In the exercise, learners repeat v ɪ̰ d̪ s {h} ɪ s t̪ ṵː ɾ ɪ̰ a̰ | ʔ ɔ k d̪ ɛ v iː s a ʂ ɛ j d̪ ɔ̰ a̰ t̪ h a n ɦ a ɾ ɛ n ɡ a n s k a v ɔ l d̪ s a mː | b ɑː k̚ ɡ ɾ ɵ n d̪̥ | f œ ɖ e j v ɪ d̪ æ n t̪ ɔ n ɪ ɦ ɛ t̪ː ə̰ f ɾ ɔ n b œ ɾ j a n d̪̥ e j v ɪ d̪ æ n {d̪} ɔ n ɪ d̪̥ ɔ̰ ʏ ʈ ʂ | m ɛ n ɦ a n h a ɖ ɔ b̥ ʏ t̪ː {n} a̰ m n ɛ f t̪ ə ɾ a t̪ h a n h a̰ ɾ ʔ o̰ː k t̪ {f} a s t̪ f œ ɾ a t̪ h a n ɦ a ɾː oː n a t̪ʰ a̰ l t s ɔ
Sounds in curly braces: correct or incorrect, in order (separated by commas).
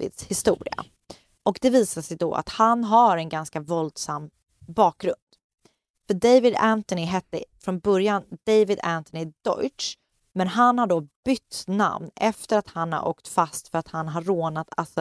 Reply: correct, incorrect, correct, correct